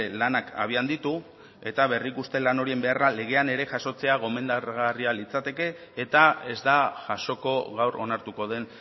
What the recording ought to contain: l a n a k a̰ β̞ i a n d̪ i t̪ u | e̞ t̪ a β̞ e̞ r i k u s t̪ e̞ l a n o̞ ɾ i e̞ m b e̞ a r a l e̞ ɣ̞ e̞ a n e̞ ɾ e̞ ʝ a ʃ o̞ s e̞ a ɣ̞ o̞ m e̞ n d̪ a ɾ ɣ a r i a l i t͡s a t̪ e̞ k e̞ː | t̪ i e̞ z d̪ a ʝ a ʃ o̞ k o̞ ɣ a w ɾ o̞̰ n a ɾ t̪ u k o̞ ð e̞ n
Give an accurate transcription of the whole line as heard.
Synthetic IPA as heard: l a n a k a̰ β̞ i a n d̪ i t̪ u | e̞ t̪ a β̞ e̞ r i k u s t̪ e̞ l a n o̞ ɾ i e̞ m b e̞ a r a l e̞ ɣ̞ e̞ a n e̞ ɾ e̞ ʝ a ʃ o̞ t͡s e̞ a ɣ̞ o̞ m e̞ n d̪ a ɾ ɣ a r i a l i t͡s a t̪ e̞ k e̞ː | t̪ a e̞ z d̪ a ʝ a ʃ o̞ k o̞ ɣ a w ɾ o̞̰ n a ɾ t̪ u k o̞ ð e̞ n

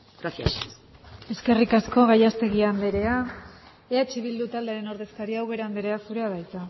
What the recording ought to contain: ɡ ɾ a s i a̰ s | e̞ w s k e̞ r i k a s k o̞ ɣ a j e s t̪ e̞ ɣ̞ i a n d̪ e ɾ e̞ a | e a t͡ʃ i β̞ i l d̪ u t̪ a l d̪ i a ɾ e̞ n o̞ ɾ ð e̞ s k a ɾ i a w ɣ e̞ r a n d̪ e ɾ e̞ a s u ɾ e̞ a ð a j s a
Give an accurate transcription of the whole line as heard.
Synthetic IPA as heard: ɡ ɾ a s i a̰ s | e̞ s k e̞ r i k a s k o̞ ɣ a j a s t̪ e̞ ɣ̞ i a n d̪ e ɾ e̞ a | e a t͡ʃ i β̞ i l d̪ u t̪ a l d̪ e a ɾ e̞ n o̞ ɾ ð e̞ s k a ɾ i a w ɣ e̞ ɾ a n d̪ e ɾ e̞ a s u ɾ e̞ a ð a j t͡s a

